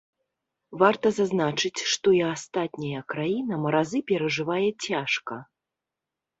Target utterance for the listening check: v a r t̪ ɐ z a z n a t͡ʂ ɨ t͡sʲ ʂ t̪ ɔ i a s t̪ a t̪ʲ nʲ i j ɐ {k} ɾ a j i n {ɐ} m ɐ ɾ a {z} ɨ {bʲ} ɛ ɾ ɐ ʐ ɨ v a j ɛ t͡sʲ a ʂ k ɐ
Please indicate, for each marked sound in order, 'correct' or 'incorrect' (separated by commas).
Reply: correct, correct, correct, incorrect